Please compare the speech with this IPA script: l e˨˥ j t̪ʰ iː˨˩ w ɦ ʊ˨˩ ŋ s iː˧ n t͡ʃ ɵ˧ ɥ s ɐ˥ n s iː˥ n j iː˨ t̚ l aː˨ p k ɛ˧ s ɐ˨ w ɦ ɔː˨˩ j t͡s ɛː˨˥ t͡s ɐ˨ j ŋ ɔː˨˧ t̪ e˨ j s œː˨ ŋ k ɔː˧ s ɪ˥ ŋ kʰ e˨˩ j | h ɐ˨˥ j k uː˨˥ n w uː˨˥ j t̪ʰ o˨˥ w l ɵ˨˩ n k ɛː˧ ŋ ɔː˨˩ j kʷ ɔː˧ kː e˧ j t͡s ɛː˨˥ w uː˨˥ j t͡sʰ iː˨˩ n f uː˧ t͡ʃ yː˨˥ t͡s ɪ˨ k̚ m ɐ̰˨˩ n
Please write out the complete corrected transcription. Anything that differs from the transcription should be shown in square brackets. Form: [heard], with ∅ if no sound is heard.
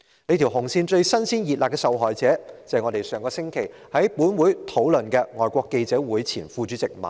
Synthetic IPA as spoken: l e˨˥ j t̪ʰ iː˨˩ w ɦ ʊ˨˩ ŋ s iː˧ n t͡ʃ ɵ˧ ɥ s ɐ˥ n s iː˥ n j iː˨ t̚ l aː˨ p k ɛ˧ s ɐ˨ w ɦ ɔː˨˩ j t͡s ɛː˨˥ t͡s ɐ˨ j ŋ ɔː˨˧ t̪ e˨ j s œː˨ ŋ k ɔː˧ s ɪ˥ ŋ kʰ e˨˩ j | h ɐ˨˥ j [p] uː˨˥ n w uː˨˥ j t̪ʰ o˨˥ w l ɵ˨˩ n k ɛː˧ ŋ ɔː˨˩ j kʷ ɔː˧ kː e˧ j t͡s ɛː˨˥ w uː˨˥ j t͡sʰ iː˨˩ n f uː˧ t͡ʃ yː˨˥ t͡s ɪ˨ k̚ m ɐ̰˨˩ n